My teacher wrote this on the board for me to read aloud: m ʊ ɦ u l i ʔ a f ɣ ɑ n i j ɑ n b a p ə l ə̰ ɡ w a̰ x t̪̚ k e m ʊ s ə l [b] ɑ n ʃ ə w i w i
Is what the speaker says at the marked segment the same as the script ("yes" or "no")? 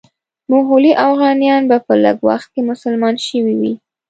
no